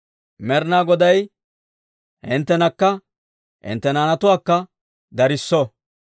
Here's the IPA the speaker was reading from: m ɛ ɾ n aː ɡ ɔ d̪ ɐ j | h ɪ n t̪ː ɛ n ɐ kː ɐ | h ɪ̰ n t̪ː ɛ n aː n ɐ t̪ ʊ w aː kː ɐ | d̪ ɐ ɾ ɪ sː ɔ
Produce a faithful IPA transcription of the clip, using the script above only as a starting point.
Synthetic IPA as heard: m ɛ ɾ n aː ɡ ɔ d̪ ɐ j | h ɪ n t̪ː ɛ n ɐ kː ɐ | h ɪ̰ n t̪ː ɛ n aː n ɐ t̪ ʊ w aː kː ɐ | d̪ ɐ ɾ ɪ sː ɔ